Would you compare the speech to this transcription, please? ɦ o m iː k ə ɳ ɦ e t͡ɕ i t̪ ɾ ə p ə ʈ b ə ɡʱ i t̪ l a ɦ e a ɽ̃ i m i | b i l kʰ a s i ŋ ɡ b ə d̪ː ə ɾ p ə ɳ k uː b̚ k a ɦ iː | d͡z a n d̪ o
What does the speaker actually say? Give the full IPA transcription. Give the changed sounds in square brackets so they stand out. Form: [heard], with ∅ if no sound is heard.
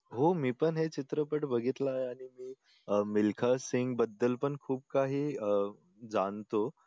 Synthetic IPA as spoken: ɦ o m iː [p] ə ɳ ɦ e t͡ɕ i t̪ ɾ ə p ə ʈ b ə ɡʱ i t̪ l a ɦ e a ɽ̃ i m [iː] | [m] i l kʰ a s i ŋ ɡ b ə d̪ː ə [l] p ə ɳ [kʰ] uː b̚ k a ɦ iː | d͡z a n [t̪] o